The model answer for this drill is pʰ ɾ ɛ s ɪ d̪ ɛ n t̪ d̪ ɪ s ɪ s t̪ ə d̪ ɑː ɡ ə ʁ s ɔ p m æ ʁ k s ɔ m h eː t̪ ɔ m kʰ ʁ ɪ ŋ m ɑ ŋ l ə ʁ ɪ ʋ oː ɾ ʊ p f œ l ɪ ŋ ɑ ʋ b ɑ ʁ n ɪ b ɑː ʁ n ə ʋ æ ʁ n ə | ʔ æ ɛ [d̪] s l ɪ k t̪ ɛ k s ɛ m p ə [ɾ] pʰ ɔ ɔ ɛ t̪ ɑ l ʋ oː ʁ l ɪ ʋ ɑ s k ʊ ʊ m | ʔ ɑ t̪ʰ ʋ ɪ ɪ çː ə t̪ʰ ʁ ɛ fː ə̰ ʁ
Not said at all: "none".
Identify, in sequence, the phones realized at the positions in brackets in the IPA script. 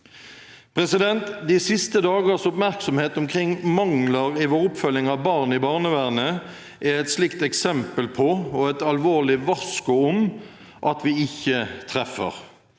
t̪, l

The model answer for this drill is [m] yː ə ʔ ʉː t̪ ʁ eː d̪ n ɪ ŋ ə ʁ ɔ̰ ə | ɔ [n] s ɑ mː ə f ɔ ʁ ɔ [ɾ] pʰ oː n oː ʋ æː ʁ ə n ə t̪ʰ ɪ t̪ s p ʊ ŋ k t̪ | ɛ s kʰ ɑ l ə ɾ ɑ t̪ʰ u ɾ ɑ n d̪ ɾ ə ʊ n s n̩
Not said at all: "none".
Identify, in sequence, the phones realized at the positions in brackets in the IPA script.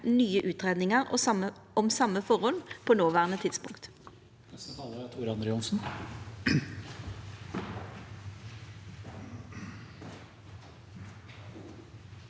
n, m, l

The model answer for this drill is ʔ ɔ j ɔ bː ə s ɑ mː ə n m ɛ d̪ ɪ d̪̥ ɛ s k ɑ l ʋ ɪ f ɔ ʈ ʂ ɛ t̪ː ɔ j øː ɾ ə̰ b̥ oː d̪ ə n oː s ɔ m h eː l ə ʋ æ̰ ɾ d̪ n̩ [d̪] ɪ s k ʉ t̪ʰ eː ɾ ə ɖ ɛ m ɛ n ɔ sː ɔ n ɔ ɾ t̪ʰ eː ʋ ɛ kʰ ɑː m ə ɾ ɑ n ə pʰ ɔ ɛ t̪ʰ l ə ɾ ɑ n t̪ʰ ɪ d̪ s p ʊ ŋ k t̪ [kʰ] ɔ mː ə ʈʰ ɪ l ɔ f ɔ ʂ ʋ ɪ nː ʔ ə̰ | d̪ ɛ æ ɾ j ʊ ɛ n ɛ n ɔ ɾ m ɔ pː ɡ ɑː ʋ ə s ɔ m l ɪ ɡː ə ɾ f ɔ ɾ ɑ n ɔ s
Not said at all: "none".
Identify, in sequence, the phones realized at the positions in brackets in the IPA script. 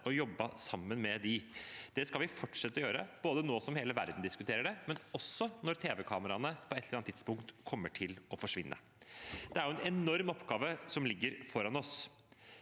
d̪, kʰ

